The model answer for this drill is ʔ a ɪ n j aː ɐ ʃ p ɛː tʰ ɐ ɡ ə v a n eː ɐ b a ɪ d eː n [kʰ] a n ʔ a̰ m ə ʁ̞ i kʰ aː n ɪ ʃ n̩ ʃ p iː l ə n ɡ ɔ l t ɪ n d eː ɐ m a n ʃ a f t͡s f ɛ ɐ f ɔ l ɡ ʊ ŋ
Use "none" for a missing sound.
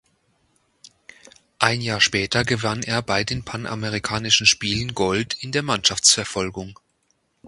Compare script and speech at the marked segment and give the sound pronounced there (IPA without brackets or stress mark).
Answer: pʰ